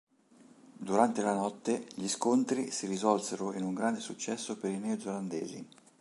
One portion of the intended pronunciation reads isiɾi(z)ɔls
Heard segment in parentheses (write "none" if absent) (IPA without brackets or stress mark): z